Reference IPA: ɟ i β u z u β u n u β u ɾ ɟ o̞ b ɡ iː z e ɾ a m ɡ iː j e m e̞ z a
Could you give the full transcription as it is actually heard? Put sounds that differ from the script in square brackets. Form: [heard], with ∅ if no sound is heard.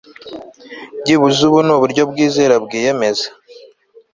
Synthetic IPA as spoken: ɟ i β u z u β u n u β u ɾ ɟ o̞ b ɡ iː z e ɾ a [b] ɡ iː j e m e̞ z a